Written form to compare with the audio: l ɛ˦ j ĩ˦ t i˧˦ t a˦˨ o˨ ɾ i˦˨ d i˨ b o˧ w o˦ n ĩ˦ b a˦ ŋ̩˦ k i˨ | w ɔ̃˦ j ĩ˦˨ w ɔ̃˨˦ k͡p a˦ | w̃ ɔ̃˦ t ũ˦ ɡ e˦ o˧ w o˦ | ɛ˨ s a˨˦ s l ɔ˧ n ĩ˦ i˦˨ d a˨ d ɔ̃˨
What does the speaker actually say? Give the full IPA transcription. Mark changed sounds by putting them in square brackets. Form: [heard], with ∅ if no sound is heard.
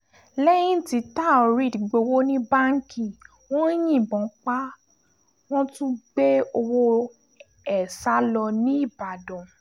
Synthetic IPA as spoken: l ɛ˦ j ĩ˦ t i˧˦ t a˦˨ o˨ ɾ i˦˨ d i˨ [ɡ͡b] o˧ w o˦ n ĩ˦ b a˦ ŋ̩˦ k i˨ | w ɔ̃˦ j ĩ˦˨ [b] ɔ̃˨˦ k͡p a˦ | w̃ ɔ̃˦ t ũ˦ [ɡ͡b] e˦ o˧ w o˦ | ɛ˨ s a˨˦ [∅] l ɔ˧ n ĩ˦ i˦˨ [b] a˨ d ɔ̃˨